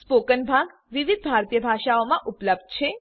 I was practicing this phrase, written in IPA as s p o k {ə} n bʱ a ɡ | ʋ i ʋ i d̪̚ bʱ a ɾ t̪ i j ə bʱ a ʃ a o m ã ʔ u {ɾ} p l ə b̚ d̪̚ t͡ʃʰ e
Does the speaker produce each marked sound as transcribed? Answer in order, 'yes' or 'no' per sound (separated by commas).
yes, no